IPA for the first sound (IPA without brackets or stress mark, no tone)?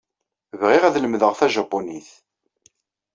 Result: v